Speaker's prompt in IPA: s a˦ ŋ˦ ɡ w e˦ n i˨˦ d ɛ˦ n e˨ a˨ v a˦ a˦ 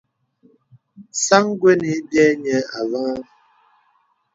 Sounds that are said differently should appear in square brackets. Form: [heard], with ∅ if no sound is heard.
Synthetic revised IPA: s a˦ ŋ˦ ɡ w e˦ n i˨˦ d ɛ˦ [ɲ] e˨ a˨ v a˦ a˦